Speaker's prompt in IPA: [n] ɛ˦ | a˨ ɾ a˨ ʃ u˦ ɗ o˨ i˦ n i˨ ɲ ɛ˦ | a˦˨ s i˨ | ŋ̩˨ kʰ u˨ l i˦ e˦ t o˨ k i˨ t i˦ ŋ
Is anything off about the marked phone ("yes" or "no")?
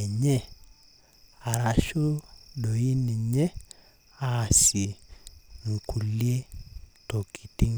yes